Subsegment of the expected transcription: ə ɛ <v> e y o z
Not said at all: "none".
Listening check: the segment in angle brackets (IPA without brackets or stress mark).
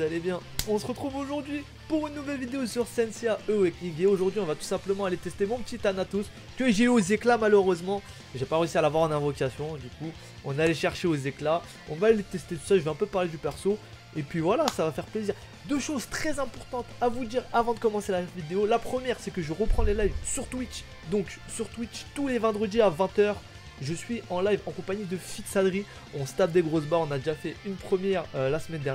ʒ